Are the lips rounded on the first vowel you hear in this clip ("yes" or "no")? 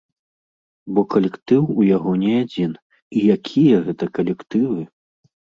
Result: yes